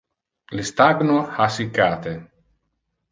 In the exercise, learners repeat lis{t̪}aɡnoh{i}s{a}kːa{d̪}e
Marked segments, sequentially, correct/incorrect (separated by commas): correct, incorrect, incorrect, incorrect